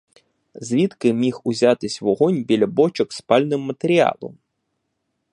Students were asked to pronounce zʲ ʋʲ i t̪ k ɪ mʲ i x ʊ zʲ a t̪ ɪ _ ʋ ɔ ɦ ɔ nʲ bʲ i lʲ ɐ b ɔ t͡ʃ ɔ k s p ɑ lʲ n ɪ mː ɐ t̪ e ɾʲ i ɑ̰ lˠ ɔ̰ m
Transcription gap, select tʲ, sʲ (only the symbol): sʲ